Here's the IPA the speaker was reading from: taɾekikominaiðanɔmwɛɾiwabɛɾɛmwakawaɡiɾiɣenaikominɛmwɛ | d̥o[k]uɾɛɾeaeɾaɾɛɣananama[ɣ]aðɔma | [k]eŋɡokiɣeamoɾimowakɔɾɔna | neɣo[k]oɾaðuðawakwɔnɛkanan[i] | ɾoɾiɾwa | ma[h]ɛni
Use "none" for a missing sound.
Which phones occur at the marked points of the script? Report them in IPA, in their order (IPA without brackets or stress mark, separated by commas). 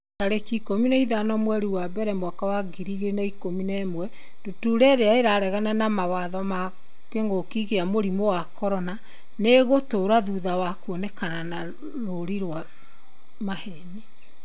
t, w, k, t, a, h